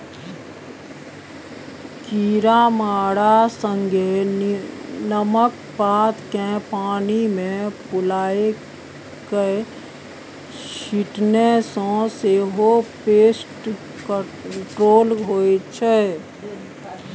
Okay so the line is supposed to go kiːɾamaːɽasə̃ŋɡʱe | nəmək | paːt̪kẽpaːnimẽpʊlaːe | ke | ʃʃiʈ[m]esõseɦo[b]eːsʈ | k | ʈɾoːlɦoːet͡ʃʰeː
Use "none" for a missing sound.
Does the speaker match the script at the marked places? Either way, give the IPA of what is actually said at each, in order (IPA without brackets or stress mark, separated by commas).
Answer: n, p